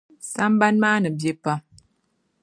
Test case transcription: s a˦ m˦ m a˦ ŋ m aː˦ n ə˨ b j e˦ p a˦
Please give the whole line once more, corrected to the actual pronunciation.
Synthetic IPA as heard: s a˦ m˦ b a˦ n m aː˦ n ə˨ b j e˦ p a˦